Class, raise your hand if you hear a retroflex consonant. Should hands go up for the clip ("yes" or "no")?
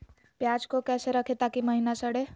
yes